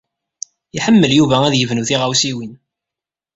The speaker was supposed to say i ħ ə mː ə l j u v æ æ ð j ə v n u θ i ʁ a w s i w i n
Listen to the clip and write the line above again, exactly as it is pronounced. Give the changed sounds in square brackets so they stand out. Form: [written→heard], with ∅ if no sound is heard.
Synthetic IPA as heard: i ħ ə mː ə l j u v æ æ ð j ə v n u θ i ʁ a w s i w i n